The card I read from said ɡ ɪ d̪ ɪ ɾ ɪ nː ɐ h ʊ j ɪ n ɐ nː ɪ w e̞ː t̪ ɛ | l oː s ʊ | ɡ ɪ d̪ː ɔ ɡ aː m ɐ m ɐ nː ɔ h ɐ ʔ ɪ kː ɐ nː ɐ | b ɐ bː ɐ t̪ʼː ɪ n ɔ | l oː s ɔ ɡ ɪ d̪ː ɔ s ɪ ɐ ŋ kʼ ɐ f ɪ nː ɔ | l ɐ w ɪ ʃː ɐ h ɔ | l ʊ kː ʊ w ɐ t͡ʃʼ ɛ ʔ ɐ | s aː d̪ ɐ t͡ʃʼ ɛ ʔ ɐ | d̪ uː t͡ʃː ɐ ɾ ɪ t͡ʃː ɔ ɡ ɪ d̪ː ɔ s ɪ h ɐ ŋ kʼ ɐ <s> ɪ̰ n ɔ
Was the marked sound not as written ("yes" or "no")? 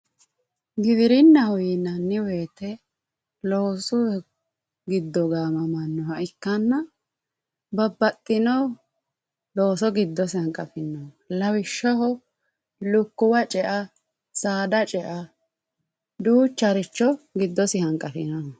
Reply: yes